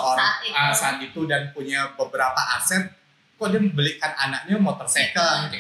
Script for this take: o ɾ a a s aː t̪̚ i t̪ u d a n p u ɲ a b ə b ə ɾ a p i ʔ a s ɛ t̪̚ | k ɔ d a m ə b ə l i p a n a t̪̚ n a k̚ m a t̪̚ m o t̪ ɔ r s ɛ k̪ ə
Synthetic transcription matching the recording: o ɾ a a s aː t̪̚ i t̪ u d a n p u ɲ a b ə b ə ɾ a p a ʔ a s ɛ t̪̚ | k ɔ d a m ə b ə l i k a n a n a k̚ ɲ a m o t̪ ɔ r s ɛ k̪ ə